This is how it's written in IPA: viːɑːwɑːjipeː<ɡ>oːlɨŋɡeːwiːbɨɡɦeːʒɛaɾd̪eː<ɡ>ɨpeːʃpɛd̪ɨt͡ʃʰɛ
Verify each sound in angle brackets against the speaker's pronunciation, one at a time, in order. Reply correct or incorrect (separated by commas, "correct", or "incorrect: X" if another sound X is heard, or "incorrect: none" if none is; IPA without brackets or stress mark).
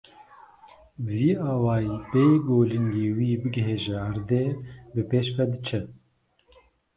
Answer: correct, incorrect: b